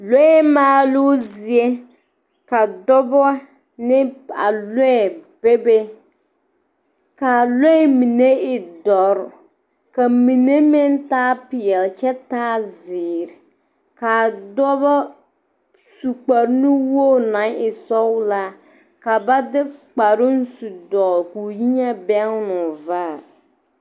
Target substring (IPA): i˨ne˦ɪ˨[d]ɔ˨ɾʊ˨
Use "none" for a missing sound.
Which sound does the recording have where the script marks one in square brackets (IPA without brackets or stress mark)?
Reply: d